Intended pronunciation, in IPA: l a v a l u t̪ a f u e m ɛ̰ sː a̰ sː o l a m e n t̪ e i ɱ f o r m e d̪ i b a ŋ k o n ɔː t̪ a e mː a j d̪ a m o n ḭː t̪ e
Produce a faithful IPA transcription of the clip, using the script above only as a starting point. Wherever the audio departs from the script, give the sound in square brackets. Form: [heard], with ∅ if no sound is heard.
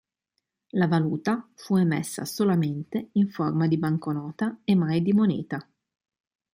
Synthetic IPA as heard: l a v a l [uː] t̪ a f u e m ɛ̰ sː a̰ [s] o l a m e n t̪ e i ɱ f o r m [a] d̪ i b a ŋ k o n ɔː t̪ a e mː a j d̪ [i] m o n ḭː t̪ [a]